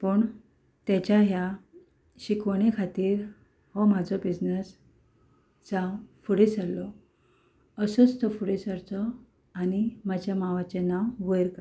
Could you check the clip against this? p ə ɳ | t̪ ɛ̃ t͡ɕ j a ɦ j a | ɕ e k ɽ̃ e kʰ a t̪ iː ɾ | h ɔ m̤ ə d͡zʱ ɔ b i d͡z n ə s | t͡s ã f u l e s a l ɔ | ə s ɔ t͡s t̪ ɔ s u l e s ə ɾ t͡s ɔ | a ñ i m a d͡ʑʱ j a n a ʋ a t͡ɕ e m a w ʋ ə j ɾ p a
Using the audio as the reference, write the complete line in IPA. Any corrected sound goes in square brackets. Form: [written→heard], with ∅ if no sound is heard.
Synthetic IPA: p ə ɳ | t̪ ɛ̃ t͡ɕ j a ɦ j a | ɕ [e→i] k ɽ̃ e kʰ a t̪ iː ɾ | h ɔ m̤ [ə→a] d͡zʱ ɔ b i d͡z n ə s | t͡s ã f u [l→ɽ] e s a l ɔ | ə s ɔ t͡s t̪ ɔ [s→f] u [l→ɽ] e s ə ɾ t͡s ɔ | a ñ i m a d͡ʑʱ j a [n→m] a ʋ a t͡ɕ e [m→n] a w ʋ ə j ɾ [p→k] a